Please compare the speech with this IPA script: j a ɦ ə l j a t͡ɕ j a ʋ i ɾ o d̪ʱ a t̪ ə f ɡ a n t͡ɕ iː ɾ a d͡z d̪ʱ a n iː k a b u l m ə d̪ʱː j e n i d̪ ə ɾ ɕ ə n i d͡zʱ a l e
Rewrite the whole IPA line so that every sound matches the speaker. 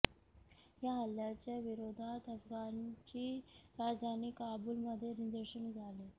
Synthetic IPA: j a ɦ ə l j a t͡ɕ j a ʋ i ɾ o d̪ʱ a t̪ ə f ɡ a n t͡ɕ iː ɾ a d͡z d̪ʱ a n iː k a b u l m ə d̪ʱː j e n i d̪ ə ɾ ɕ ə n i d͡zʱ a l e